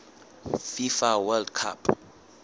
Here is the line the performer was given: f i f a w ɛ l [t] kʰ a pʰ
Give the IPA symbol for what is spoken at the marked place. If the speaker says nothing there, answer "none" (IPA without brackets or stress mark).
d